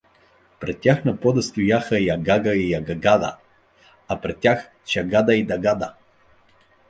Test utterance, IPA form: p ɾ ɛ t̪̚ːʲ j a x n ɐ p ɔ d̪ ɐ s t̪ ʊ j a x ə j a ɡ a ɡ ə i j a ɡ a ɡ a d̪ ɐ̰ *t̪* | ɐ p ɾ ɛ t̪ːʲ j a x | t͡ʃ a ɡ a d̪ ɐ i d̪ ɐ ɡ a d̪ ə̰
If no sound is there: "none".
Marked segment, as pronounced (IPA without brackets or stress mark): none